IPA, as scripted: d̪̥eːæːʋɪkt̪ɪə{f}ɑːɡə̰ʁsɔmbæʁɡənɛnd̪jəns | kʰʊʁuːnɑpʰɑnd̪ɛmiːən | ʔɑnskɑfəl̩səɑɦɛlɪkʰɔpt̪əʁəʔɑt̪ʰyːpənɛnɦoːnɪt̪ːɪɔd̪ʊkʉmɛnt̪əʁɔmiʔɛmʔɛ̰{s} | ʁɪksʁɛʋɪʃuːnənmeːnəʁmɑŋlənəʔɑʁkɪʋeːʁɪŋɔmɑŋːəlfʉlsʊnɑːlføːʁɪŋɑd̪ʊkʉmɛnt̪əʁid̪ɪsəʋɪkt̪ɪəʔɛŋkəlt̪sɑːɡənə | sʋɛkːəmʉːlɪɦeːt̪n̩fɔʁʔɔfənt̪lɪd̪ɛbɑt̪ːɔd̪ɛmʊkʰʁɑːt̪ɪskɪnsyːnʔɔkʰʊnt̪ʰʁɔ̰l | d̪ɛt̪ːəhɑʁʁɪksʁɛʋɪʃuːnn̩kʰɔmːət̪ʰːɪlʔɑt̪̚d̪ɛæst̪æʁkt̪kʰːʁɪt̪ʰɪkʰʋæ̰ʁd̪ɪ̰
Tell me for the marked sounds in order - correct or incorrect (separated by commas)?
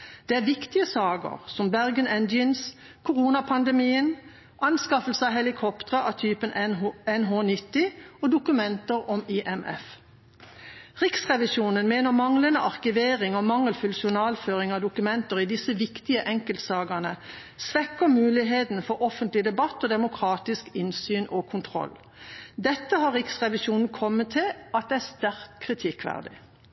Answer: incorrect, incorrect